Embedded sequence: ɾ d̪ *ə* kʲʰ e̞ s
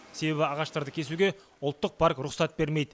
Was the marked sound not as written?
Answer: no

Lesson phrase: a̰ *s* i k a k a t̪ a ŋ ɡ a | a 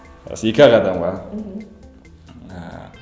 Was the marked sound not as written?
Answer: no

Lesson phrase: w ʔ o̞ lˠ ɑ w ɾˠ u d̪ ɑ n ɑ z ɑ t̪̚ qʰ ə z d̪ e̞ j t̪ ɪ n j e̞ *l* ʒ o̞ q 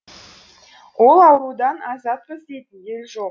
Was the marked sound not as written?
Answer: no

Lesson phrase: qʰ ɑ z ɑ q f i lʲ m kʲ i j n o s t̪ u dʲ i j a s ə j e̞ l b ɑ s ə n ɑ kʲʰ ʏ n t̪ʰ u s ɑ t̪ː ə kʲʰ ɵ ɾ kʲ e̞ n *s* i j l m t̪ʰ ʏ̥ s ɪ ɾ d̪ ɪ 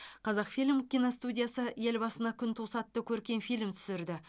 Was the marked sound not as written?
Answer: yes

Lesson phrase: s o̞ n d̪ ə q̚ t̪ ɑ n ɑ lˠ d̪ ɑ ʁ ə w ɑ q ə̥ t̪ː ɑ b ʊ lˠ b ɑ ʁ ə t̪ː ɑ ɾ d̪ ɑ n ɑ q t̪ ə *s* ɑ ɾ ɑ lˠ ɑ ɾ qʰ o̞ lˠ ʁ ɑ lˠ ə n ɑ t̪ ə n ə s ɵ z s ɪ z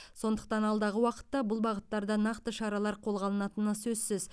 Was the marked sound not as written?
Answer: yes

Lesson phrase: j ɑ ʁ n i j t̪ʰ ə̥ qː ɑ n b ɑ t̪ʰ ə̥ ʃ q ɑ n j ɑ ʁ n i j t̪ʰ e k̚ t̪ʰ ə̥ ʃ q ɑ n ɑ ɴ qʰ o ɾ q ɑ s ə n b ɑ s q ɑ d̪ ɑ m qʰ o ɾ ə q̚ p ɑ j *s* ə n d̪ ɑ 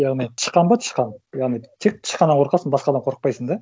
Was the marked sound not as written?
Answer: no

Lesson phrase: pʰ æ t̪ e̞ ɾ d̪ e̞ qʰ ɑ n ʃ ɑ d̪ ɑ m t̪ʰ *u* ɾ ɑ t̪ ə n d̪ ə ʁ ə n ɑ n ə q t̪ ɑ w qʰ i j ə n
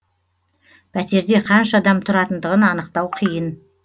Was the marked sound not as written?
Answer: yes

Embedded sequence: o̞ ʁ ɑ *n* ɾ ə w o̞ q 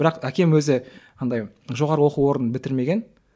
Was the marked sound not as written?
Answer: yes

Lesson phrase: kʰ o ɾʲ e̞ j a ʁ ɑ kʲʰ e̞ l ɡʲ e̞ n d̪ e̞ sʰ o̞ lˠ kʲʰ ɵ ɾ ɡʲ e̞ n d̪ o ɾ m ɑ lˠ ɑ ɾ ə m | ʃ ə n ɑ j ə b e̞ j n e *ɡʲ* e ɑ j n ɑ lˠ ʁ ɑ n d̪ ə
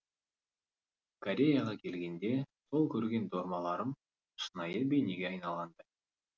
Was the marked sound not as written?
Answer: no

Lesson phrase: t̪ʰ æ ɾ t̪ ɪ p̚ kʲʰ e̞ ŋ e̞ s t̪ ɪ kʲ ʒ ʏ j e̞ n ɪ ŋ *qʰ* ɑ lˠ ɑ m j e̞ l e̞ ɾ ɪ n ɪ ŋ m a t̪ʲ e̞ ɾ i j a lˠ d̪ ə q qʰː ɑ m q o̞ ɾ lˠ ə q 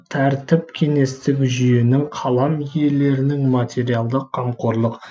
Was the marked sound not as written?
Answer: no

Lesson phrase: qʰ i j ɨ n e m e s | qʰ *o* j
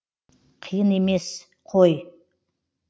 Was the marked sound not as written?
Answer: no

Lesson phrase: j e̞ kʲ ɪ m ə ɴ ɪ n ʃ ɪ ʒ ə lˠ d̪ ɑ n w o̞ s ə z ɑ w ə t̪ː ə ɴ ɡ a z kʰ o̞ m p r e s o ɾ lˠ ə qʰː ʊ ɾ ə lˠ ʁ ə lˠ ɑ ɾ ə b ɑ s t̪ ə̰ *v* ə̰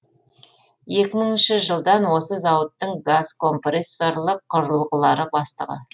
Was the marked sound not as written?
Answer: yes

